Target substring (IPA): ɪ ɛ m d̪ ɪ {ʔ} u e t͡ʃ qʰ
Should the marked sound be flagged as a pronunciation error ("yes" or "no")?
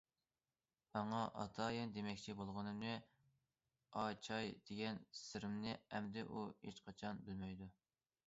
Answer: no